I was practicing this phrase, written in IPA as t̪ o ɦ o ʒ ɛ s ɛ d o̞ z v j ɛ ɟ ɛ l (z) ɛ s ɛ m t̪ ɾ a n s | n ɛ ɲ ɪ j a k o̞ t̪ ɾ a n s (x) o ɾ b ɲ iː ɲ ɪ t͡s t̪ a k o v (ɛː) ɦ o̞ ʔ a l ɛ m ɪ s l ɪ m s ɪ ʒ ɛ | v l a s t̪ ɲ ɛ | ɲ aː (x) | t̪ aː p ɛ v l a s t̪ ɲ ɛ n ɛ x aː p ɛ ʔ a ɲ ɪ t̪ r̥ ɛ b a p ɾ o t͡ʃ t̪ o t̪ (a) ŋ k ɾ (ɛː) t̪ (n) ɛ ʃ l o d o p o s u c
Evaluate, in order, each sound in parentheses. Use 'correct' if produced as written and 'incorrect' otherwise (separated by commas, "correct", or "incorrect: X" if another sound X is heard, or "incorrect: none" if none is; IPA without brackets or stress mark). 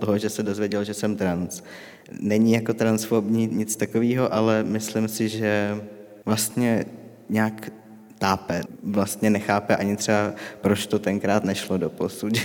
incorrect: ʒ, incorrect: f, incorrect: iː, incorrect: k, incorrect: ɛ, incorrect: aː, correct